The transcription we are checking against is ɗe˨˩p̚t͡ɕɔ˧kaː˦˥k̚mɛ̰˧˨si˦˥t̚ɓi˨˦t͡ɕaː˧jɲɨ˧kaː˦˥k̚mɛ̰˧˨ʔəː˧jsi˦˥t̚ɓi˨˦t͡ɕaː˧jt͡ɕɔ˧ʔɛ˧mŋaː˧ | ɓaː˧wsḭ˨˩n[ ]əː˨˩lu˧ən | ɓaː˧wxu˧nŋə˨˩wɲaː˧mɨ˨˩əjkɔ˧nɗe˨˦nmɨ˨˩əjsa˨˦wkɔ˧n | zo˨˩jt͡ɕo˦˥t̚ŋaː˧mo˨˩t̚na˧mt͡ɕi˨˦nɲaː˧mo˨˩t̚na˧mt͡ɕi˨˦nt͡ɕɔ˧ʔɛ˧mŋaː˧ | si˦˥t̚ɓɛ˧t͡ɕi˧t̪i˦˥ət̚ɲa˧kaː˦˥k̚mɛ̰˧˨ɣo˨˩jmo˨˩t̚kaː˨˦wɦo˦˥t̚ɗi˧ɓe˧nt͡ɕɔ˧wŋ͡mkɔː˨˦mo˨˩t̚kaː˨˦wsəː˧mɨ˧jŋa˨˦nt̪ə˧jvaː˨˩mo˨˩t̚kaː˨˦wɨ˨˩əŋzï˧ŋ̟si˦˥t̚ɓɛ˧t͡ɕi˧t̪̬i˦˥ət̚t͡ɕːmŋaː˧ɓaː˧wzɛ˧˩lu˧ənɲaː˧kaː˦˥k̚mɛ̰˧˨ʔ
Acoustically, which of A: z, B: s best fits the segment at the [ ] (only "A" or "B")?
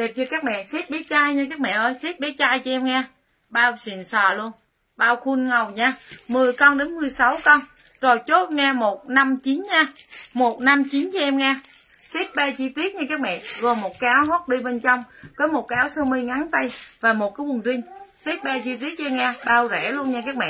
B